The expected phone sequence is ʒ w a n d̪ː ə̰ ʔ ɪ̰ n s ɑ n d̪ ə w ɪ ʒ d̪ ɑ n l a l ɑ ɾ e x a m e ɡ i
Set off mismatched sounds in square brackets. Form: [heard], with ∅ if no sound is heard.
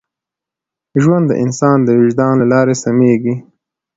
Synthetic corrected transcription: ʒ w a n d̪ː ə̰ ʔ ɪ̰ n s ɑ n d̪ ə w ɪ ʒ d̪ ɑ n l a l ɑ ɾ e [s] a m e ɡ i